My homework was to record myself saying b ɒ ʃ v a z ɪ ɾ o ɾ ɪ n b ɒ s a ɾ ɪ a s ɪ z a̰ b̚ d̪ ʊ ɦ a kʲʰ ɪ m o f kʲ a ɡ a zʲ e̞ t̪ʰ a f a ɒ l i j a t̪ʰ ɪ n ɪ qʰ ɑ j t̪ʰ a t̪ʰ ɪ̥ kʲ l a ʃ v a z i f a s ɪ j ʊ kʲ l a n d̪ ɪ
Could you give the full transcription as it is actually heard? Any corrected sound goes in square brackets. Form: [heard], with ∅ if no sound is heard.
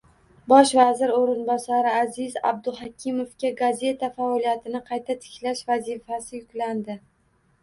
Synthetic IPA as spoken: b ɒ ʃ v a z ɪ ɾ o ɾ ɪ n b ɒ s a ɾ ɪ a [z] ɪ z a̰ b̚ d̪ ʊ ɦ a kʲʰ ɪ m o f kʲ a ɡ a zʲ e̞ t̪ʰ a f a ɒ l i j a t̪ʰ ɪ n ɪ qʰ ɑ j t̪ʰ a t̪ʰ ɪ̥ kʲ l a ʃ v a z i f a s ɪ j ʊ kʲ l a n d̪ ɪ

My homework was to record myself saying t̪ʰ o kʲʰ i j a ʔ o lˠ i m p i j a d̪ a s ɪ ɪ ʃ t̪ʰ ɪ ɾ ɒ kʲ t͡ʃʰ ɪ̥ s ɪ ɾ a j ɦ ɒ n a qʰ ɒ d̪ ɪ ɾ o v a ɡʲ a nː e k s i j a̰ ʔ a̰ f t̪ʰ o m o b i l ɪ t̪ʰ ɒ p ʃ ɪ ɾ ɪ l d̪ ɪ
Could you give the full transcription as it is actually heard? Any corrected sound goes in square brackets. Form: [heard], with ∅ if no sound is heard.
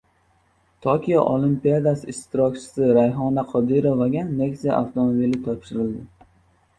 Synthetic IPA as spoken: t̪ʰ o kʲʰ i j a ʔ o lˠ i m p i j a d̪ a s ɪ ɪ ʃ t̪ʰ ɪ ɾ ɒ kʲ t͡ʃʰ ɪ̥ s ɪ ɾ a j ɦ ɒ n a qʰ ɒ d̪ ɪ ɾ o v a ɡʲ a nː e k s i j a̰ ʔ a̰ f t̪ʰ o m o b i l ɪ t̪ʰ ɒ p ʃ ɪ ɾ ɪ l d̪ ɪ

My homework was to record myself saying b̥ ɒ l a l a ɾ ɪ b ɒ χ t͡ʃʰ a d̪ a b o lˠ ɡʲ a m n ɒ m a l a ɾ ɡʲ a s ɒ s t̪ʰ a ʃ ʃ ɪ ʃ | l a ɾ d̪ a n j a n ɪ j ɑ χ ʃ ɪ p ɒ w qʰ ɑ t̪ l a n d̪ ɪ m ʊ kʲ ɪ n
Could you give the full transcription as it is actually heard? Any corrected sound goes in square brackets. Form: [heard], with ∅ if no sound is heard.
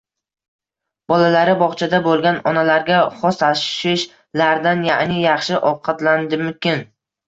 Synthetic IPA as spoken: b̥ ɒ l a l a ɾ ɪ b ɒ χ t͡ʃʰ a d̪ a b o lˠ ɡʲ a [∅] n ɒ [n] a l a ɾ ɡʲ a [χ] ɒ s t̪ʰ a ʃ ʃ ɪ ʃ | l a ɾ d̪ a n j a n ɪ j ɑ χ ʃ ɪ [ʔ] ɒ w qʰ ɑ t̪ l a n d̪ ɪ m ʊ kʲ ɪ n

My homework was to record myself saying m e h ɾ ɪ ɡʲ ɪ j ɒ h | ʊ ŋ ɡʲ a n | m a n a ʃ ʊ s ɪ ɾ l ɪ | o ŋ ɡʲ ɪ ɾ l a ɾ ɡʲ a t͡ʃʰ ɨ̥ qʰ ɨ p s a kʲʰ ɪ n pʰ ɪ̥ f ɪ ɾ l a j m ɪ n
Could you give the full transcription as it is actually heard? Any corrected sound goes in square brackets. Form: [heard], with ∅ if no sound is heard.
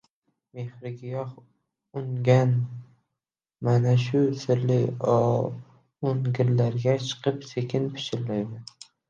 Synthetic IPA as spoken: m e h ɾ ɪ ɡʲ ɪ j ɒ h | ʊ ŋ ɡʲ a n | m a n a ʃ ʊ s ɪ ɾ l ɪ | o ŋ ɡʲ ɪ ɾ l a ɾ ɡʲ a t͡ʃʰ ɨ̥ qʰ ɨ p s [e] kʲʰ ɪ n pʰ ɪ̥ [ʃ] ɪ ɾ l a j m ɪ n

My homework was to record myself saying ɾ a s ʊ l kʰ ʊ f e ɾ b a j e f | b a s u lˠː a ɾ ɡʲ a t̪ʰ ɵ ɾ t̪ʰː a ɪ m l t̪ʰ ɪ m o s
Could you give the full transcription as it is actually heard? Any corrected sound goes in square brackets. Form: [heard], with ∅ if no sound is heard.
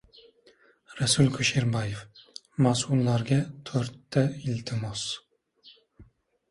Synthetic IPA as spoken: ɾ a s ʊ l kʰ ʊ [ʃ] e ɾ b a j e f | [m] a s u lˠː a ɾ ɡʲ a t̪ʰ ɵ ɾ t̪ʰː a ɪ [∅] l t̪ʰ ɪ m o s

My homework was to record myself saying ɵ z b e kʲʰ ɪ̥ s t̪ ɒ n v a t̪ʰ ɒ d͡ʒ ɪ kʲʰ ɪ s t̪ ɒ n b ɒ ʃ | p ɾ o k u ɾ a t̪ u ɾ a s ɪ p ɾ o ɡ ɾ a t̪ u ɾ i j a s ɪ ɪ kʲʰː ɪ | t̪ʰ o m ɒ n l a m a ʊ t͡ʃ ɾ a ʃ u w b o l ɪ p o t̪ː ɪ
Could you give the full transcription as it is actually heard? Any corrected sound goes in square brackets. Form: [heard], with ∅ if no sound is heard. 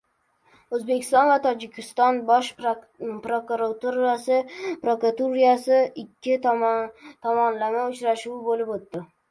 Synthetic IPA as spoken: ɵ z b e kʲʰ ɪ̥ s t̪ ɒ n v a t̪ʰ ɒ d͡ʒ ɪ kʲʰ ɪ s t̪ ɒ n b ɒ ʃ | p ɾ o k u ɾ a t̪ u ɾ a s ɪ p ɾ o [k] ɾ a t̪ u ɾ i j a s ɪ ɪ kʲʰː ɪ | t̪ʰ [ɒ] m ɒ n l a m a ʊ t͡ʃ ɾ a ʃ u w b o l ɪ p o t̪ː ɪ

